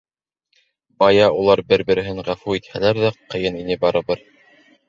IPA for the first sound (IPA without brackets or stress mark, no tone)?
b